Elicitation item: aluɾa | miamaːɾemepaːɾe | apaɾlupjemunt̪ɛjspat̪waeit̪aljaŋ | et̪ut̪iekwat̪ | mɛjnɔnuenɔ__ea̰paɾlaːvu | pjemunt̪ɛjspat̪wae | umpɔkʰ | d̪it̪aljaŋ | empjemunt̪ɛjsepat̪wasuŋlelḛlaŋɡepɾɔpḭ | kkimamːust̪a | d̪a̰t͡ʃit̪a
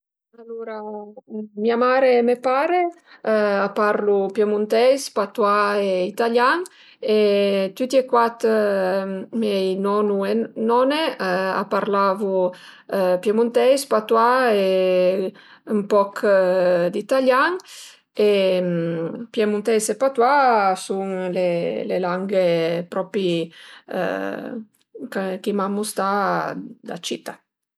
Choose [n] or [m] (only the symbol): n